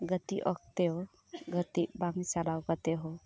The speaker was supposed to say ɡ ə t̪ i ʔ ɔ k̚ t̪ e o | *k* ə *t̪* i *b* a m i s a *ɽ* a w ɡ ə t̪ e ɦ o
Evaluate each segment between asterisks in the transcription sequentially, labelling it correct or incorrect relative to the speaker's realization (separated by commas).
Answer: incorrect, correct, correct, incorrect